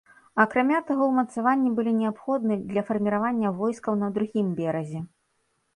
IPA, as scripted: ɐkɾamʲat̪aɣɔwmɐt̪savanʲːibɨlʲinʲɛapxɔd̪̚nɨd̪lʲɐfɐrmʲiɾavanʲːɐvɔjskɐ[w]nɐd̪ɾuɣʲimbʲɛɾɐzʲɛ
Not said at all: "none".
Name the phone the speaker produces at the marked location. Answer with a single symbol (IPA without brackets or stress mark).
w